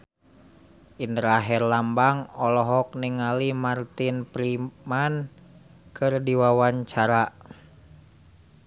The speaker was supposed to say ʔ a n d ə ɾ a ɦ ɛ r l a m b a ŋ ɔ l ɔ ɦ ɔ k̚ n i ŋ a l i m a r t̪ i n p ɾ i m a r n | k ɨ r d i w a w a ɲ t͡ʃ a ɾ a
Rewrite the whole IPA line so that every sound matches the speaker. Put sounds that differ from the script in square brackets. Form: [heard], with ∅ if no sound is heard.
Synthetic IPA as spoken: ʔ [i] n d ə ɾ a ɦ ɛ r l a m b a ŋ ɔ l ɔ ɦ ɔ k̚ n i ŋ a l i m a r t̪ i n p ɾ i m a [∅] n | k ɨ r d i w a w a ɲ t͡ʃ a ɾ a

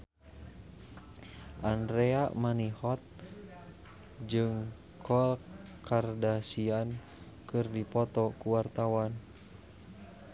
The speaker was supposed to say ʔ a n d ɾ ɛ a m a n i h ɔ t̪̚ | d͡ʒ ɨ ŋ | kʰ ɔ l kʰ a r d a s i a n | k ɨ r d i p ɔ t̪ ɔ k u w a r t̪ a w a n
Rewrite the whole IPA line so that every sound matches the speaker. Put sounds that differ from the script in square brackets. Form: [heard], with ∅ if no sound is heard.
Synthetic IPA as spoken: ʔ a n d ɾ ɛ a m a n i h ɔ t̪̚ | d͡ʒ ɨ ŋ | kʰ ɔ l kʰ a r d a s i a n | k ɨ r d i p ɔ t̪ ɔ k u w a r t̪ a w a n

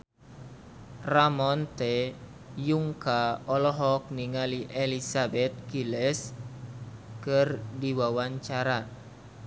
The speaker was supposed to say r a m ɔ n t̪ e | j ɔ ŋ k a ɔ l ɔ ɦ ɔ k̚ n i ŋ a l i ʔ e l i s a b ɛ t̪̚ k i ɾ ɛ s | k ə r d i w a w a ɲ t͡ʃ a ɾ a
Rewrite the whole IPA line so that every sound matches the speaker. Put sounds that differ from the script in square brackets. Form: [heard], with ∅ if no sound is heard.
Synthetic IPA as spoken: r a m ɔ n t̪ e | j [u] ŋ k a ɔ l ɔ ɦ ɔ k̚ n i ŋ a l i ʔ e l i s a b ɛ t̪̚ k i [l] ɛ s | k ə r d i w a w a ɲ t͡ʃ a ɾ a

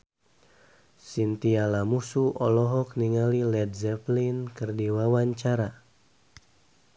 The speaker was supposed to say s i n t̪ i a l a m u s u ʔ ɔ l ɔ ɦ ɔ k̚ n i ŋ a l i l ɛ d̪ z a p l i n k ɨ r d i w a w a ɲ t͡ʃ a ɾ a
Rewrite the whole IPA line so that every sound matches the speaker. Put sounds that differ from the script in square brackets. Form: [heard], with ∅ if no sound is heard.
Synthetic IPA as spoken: s i n t̪ i a l a m u s u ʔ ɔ l ɔ ɦ ɔ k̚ n i ŋ a l i l ɛ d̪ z [ɛ] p l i n k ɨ r d i w a w a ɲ t͡ʃ a ɾ a

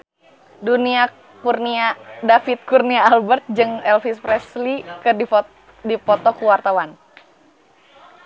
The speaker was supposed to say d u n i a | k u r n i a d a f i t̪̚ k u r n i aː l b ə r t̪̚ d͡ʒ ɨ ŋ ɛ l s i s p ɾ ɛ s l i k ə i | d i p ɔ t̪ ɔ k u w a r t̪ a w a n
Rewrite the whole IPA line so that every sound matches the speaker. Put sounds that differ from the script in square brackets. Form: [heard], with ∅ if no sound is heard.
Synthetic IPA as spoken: d u n i a | k u r n i a d a f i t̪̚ k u r n i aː l b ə r t̪̚ d͡ʒ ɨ ŋ ɛ l [f] i s p ɾ ɛ s l i k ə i | d i p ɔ t̪ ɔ k u w a r t̪ a w a n

